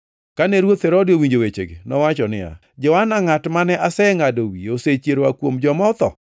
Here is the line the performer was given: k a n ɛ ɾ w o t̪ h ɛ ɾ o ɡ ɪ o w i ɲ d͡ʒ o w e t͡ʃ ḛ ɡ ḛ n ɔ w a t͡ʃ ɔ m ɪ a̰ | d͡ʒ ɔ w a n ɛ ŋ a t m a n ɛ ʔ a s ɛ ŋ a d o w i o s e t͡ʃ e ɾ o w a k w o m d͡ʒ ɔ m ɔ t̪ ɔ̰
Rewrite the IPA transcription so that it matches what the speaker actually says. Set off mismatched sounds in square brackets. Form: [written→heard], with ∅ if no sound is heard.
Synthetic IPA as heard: k a n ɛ ɾ w o t̪ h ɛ ɾ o [ɡ→d] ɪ o w i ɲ d͡ʒ o w e t͡ʃ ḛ ɡ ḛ n ɔ w a t͡ʃ ɔ [m→n] ɪ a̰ | d͡ʒ ɔ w a n [ɛ→a] ŋ a t m a n ɛ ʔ a s ɛ ŋ a d o w i o s e t͡ʃ e ɾ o w a k w o m d͡ʒ ɔ m ɔ t̪ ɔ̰